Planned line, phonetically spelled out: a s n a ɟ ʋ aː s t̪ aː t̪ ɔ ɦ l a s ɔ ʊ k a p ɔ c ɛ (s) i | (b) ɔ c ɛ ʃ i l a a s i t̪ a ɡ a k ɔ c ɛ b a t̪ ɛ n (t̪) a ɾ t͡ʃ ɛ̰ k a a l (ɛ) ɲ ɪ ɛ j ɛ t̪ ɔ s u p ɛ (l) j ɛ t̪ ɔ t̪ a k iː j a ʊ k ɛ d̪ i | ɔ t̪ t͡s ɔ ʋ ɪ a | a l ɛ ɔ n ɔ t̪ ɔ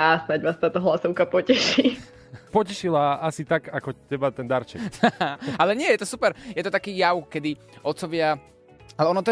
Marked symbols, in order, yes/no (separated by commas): no, no, no, yes, no